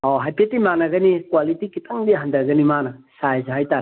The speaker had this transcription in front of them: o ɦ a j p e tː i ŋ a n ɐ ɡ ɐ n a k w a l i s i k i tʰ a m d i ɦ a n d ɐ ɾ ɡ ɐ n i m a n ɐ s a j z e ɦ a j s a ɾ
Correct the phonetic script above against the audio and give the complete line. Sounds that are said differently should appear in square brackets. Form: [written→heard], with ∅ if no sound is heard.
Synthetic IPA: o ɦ a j p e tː i [ŋ→m] a n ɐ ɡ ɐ n [a→i] k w a l i [s→t] i k i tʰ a [m→ŋ] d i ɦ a n d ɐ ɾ ɡ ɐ n i m a n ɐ s a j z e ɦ a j [s→t] a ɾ

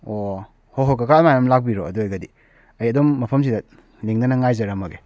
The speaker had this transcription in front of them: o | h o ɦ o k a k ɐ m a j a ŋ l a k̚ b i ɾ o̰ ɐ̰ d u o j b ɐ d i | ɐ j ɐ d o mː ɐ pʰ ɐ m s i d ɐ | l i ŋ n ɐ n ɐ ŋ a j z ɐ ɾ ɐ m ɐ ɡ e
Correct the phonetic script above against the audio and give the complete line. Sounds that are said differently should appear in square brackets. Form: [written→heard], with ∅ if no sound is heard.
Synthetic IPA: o | h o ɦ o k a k [ɐ→a] m a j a [ŋ→m] l a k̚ b i ɾ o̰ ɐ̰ d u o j [b→ɡ] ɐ d i | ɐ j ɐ d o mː ɐ pʰ ɐ m s i d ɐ | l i ŋ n ɐ n ɐ ŋ a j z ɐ ɾ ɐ m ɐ ɡ e

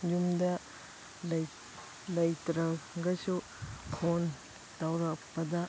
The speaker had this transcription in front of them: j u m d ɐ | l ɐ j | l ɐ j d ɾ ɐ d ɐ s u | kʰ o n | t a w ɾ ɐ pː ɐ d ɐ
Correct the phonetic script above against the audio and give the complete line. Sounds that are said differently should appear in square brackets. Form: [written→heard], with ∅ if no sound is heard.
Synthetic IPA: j u m d ɐ | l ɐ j | l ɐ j [d→t] ɾ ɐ [d→ɡ] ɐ s u | kʰ o n | t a w ɾ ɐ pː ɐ d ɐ

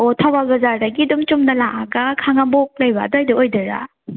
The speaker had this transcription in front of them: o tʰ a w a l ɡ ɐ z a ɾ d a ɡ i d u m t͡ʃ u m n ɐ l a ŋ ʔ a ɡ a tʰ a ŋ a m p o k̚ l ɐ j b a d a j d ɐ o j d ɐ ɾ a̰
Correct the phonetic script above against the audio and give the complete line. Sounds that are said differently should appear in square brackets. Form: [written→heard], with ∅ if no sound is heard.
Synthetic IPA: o tʰ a w a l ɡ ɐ z a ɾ d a ɡ i d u m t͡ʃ u m n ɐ l a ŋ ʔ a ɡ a [tʰ→kʰ] a ŋ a m [p→b] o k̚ l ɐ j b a d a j d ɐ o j d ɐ ɾ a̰

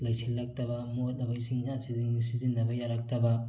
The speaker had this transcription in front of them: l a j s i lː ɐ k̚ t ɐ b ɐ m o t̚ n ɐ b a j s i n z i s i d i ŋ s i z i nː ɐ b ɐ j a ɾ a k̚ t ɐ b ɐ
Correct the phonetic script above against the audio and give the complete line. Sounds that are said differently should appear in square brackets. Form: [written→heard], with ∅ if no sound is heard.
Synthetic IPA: l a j s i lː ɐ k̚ t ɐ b ɐ m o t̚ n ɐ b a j s i [n→ŋ] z [i→a] s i d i ŋ s i z i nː ɐ b ɐ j a ɾ a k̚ t ɐ b ɐ

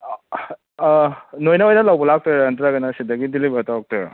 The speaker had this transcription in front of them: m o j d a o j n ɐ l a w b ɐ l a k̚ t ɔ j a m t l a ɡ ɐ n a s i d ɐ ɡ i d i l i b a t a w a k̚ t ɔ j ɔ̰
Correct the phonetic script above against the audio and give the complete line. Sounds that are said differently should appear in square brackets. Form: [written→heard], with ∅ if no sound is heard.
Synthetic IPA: [m→n] o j [d→n] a o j n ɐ l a w b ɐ l a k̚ t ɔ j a [m→n] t [l→ɾ] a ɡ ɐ n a s i d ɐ ɡ i d i l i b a t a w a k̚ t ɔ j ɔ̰

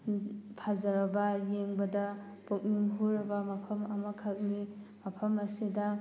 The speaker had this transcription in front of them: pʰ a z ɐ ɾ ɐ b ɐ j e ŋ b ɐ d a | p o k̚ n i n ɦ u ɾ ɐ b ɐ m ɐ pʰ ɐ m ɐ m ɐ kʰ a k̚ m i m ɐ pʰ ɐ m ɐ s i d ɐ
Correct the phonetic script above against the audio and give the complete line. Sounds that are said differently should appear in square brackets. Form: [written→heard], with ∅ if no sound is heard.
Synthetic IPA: pʰ a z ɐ ɾ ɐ b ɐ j e ŋ b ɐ d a | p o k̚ n i [n→ŋ] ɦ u ɾ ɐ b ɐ m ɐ pʰ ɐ m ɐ m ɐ kʰ a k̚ [m→n] i m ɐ pʰ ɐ m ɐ s i d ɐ

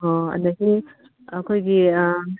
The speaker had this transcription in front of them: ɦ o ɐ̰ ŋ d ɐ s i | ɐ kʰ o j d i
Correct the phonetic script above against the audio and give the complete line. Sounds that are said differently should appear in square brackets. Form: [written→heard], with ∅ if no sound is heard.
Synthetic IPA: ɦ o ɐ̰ [ŋ→n] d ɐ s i | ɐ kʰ o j [d→ɡ] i

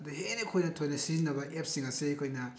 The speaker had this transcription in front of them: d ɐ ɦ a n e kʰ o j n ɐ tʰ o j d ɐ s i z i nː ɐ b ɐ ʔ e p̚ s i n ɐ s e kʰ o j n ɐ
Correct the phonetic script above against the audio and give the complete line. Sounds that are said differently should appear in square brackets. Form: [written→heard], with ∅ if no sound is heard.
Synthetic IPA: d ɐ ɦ [a→e] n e kʰ o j n ɐ tʰ o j [d→n] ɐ s i z i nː ɐ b ɐ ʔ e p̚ s i [n→ŋ] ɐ s e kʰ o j n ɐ

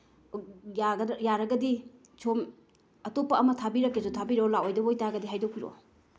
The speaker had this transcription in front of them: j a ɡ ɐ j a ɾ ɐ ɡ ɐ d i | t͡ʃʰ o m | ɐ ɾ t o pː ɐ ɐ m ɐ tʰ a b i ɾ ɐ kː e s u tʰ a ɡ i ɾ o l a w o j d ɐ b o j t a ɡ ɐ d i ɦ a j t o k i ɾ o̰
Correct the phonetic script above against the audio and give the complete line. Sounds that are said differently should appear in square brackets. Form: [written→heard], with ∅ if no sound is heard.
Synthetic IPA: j a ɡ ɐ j a ɾ ɐ ɡ ɐ d i | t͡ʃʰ o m | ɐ [ɾ→∅] t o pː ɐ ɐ m ɐ tʰ a b i ɾ ɐ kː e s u tʰ a [ɡ→b] i ɾ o l a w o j d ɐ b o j t a ɡ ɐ d i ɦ a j [t→d] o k i ɾ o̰

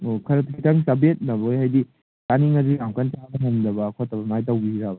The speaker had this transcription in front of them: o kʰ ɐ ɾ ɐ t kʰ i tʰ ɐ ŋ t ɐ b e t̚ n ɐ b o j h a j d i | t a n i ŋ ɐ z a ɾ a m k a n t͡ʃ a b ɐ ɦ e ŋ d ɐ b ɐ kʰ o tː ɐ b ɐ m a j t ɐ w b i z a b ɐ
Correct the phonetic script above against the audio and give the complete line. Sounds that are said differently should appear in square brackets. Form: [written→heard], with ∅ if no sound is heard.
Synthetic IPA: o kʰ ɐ ɾ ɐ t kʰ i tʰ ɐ ŋ [t→s] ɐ b e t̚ n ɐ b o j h a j d i | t a n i ŋ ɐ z [a→i] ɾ a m k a n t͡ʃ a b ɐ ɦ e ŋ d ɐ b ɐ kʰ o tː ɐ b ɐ m a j t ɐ w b i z a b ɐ

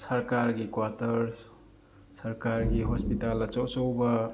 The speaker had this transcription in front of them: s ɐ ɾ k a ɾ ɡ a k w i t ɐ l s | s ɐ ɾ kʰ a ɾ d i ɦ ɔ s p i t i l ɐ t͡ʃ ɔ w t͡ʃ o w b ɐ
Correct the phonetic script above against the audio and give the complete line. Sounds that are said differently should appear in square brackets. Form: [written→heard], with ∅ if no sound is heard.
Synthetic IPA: s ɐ ɾ k a ɾ ɡ [a→i] k w [i→a] t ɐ [l→ɾ] s | s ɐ ɾ [kʰ→k] a ɾ [d→ɡ] i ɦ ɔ s p i t [i→a] l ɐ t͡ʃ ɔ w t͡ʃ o w b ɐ

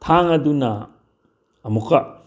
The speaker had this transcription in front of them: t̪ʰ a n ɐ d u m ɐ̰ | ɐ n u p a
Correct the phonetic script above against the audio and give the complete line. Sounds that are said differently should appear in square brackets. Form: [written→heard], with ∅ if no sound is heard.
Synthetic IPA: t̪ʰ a [n→ŋ] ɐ d u [m→n] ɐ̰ | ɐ [n→m] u [p→k] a

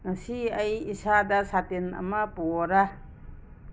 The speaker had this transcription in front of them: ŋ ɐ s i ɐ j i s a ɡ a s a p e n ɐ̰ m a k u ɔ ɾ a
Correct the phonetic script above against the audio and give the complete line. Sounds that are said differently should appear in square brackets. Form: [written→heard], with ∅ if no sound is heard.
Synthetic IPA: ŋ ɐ s i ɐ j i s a [ɡ→d] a s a [p→t] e n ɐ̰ m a [k→p] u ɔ ɾ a

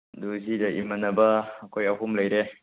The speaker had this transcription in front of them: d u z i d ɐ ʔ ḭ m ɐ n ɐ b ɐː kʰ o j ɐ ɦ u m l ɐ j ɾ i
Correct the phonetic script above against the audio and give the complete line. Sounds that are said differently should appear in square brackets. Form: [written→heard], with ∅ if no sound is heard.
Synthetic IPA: d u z i d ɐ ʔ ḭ m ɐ n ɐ b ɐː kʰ o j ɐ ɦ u m l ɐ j ɾ [i→e]

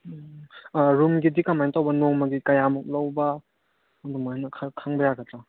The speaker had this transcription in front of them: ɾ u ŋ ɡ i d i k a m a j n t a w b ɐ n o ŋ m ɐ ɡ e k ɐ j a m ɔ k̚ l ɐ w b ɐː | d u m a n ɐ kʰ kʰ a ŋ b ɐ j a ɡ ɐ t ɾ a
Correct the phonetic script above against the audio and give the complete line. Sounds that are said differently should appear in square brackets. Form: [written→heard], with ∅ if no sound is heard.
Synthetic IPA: ɾ u [ŋ→m] ɡ i d i k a m a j n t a w b ɐ n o ŋ m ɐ ɡ [e→i] k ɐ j a m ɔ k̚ l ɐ w b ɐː | d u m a n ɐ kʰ kʰ a ŋ b ɐ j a ɡ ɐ t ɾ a

